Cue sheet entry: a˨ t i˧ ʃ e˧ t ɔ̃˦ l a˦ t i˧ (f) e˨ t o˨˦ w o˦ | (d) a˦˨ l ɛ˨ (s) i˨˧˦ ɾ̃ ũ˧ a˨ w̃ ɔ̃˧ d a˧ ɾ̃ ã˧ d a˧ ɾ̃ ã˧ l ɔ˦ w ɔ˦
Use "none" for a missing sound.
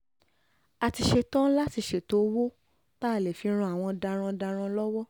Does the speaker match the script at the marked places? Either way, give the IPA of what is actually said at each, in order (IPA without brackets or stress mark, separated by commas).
ʃ, t, f